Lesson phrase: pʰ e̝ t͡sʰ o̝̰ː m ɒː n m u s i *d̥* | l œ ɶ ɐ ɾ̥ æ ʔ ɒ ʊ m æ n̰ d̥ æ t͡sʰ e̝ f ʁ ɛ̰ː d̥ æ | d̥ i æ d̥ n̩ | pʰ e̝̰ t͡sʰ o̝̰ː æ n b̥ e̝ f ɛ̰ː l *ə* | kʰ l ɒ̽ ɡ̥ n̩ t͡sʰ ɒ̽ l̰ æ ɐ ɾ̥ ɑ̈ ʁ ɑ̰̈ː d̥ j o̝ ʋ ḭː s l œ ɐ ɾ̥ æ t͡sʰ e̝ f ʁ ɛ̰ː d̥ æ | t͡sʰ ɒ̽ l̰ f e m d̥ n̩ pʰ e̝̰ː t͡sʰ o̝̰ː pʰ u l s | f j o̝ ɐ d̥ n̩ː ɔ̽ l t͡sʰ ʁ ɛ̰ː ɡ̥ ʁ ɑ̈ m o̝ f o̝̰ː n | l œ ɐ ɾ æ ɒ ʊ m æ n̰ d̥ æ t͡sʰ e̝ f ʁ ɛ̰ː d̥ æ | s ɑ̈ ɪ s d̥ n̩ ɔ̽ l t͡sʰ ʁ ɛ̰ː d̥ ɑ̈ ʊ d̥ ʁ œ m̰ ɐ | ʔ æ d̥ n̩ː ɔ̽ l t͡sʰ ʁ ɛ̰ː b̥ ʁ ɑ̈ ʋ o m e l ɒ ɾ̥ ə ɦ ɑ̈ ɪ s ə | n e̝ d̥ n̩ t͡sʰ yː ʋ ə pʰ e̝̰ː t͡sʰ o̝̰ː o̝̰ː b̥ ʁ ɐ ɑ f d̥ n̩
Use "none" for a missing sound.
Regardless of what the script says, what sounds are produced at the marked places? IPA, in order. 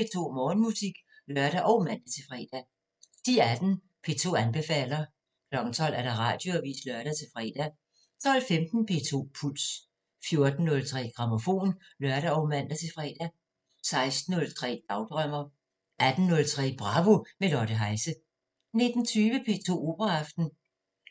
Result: ɡ̥, ɐ

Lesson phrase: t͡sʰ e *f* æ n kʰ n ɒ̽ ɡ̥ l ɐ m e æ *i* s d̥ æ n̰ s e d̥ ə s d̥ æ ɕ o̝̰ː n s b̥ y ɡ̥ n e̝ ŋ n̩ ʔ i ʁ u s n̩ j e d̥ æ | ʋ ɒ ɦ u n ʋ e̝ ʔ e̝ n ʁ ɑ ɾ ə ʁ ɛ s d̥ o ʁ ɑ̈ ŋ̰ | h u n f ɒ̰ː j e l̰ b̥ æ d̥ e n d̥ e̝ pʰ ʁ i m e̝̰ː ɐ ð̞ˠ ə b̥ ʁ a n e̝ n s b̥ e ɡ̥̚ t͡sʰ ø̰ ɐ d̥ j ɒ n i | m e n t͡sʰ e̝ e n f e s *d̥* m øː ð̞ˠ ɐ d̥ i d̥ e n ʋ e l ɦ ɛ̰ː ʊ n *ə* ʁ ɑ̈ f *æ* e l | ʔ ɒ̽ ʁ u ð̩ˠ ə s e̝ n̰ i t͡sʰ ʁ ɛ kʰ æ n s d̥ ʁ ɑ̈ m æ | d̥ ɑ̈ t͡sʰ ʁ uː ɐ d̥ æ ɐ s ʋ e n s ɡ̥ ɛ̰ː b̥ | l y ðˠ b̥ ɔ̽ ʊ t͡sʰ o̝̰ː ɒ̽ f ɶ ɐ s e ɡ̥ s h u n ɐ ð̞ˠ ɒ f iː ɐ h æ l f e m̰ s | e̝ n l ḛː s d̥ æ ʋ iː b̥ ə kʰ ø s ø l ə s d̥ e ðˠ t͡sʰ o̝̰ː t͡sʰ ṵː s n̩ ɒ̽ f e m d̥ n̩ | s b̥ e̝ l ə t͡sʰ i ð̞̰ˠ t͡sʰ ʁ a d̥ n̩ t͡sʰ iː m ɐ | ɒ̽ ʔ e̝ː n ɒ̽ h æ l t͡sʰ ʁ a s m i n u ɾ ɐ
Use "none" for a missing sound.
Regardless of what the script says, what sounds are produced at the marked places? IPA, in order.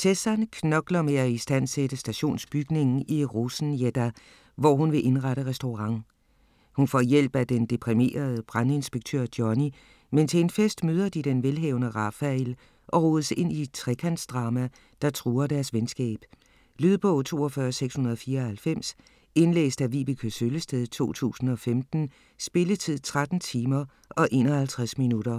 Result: s, i, d̥, ə, æ

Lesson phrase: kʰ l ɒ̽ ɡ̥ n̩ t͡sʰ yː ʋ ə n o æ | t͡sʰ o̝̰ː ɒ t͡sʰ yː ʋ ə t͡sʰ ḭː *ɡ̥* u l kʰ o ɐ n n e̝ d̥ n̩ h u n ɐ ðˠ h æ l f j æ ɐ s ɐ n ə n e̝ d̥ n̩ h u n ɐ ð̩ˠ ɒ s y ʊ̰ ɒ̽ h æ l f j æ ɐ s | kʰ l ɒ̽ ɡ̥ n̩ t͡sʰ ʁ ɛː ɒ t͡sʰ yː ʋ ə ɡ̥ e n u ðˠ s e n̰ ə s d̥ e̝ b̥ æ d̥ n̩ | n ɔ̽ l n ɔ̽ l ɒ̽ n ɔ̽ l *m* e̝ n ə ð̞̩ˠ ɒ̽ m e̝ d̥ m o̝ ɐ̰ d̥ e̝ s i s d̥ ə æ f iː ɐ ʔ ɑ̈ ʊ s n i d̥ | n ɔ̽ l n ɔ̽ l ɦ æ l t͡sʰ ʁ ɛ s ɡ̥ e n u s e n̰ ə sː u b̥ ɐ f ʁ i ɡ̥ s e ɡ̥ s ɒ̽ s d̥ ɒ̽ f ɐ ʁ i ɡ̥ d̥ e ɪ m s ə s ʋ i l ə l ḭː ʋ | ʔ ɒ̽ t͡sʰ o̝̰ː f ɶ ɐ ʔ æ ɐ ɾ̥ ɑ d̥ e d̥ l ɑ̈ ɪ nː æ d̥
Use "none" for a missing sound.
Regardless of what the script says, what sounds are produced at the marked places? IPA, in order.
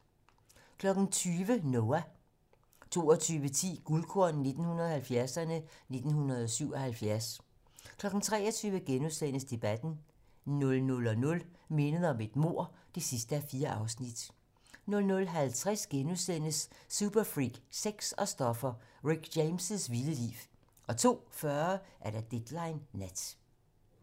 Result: ɡ̥, m

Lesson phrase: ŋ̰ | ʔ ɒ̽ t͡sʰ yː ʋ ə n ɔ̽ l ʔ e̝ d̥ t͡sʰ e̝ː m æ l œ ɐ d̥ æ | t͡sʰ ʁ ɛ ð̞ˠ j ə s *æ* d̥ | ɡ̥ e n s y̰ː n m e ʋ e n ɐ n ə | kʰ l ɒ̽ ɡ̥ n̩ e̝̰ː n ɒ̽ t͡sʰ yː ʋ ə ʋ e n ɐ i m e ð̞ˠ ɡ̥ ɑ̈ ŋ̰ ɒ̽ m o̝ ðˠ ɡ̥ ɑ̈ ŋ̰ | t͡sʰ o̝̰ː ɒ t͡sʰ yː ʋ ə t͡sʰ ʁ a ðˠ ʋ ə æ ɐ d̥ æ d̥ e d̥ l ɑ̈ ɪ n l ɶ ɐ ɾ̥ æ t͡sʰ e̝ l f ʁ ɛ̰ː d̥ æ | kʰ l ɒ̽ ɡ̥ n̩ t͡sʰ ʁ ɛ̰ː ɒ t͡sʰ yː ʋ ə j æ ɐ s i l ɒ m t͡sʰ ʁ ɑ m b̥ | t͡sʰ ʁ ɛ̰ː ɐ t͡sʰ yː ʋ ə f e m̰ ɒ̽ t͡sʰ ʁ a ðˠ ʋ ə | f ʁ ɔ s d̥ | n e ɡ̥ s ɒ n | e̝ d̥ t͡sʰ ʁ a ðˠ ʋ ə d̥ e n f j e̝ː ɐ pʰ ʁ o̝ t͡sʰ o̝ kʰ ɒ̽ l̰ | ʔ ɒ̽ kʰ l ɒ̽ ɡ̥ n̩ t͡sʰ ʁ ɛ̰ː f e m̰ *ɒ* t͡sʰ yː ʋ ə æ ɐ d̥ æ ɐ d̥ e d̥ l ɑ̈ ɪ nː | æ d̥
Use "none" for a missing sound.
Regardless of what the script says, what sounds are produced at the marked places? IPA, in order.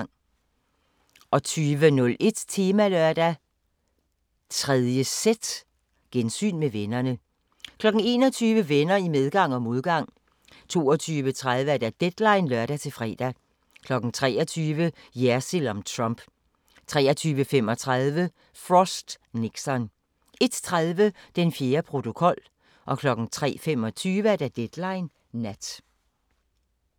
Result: e, ɒ

